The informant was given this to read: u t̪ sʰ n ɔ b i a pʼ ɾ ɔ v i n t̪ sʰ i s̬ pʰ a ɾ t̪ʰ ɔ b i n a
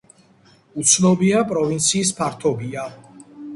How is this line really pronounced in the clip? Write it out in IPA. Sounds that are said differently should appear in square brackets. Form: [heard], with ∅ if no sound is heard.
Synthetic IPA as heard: u t̪ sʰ n ɔ b i a pʼ ɾ ɔ v i n t̪ sʰ [iː] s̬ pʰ a ɾ t̪ʰ ɔ b i [∅] a